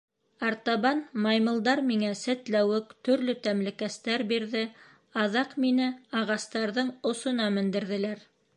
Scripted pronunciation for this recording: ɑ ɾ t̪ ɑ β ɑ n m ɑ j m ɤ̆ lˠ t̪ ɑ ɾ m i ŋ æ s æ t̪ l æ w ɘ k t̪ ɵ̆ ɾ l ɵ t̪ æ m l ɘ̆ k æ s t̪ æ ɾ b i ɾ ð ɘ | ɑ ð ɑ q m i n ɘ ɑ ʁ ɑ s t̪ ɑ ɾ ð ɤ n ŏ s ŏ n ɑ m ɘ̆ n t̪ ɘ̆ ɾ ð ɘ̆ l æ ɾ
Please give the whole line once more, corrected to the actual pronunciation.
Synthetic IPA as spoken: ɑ ɾ t̪ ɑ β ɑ n m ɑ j m ɤ̆ lˠ d̪ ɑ ɾ m i ŋ æ s æ t̪ l æ w ɘ k t̪ ɵ̆ ɾ l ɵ t̪ æ m l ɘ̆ k æ s t̪ æ ɾ b i ɾ ð ɘ | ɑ ð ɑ q m i n ɘ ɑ ʁ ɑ s t̪ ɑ ɾ ð ɤ ɴ ŏ s ŏ n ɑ m ɘ̆ n d̪ ɘ̆ ɾ ð ɘ̆ l æ ɾ